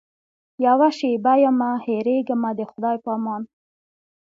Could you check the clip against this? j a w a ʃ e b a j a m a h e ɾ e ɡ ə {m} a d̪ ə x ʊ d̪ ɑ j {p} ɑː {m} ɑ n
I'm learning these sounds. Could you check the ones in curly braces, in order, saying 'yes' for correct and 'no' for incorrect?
yes, yes, yes

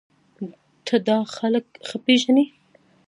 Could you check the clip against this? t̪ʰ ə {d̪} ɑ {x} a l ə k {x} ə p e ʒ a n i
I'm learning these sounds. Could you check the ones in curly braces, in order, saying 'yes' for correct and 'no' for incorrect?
yes, yes, yes

